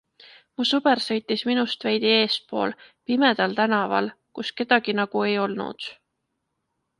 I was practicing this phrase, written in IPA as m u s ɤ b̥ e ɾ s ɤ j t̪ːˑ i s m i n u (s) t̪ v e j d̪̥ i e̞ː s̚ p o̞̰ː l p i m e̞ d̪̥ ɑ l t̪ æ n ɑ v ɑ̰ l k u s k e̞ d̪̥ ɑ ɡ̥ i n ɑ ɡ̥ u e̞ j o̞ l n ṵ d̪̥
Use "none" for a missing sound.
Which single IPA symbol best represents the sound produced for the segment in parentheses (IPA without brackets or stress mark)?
s